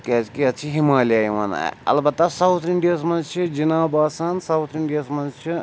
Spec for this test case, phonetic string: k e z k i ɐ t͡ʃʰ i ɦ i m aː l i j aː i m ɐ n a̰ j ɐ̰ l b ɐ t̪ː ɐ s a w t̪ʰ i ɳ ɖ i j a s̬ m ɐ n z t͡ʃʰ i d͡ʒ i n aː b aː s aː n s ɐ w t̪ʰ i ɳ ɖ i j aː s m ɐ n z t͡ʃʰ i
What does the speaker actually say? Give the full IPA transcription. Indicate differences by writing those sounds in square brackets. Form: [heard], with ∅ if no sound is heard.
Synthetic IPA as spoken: k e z k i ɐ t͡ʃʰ i ɦ i m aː l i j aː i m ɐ n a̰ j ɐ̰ l b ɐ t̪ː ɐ s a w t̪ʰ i ɳ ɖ i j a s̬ m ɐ n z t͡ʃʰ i d͡ʒ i n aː b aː s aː n s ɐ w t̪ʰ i ɳ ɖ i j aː s m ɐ n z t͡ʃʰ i